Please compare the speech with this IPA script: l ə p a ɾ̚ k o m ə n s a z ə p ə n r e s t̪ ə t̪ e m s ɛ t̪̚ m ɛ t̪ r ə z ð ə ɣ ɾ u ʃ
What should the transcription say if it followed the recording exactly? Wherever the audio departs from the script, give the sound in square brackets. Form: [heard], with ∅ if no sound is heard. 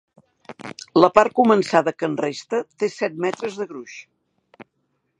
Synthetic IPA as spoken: l ə p a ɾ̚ k [u] m ə n s a [ð] ə [k] ə n r e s t̪ ə t̪ e [∅] s ɛ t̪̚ m ɛ t̪ [ɾ] ə z ð ə ɣ ɾ u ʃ